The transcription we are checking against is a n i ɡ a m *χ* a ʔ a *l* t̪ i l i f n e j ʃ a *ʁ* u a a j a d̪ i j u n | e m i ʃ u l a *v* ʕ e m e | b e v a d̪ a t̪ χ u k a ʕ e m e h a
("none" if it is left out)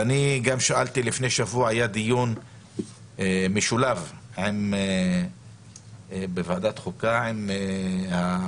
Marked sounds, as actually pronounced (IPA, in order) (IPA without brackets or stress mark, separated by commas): ʃ, l, v, v